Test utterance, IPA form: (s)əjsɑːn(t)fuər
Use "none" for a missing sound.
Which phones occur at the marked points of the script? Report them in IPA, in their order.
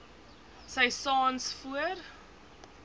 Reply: s, s

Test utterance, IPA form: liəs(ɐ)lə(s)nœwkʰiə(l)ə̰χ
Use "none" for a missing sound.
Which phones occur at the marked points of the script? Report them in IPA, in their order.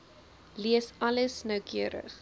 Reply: ɐ, s, ɾ

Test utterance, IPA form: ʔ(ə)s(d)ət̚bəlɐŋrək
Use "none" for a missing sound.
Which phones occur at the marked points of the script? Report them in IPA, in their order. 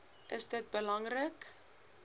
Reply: ə, d

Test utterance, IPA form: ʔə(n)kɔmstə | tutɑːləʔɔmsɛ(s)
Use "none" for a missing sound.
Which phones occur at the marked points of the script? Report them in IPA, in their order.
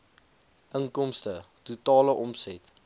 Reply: ŋ, t

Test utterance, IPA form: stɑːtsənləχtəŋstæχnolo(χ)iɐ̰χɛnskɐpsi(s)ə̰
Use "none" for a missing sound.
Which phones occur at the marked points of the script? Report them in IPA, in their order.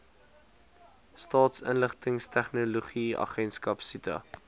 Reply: χ, t

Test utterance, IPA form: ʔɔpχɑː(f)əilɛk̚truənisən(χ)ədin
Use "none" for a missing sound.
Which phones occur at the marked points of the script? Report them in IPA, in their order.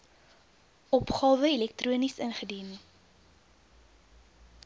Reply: v, χ

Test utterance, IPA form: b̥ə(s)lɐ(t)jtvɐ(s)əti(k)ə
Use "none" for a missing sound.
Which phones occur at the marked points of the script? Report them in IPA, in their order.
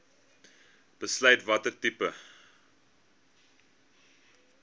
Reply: s, none, t, p

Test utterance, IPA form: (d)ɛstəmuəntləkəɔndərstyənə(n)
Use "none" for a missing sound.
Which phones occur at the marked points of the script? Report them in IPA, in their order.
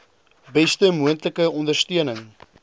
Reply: b, ŋ

